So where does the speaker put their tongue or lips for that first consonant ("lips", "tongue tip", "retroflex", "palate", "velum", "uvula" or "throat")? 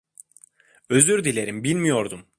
tongue tip